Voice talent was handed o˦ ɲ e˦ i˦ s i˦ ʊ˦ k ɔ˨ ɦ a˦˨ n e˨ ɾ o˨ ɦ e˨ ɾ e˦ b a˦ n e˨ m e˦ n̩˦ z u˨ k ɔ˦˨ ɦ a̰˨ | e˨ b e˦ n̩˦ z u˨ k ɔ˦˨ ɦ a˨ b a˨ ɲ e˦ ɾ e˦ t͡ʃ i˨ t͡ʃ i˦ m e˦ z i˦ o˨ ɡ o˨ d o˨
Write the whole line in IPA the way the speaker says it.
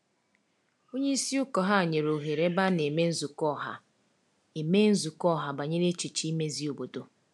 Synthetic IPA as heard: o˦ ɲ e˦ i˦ s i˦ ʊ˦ k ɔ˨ ɦ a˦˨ ɲ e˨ ɾ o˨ ɦ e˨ ɾ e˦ b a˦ n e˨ m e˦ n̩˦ z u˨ k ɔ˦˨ ɦ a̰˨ | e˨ m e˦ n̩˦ z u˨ k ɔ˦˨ ɦ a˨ b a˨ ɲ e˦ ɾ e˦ t͡ʃ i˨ t͡ʃ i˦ m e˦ z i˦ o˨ b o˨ d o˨